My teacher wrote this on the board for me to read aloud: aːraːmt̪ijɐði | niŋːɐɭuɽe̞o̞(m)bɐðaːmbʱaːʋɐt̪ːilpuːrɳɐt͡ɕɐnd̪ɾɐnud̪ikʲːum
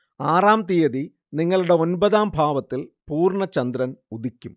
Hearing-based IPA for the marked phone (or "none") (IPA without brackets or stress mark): n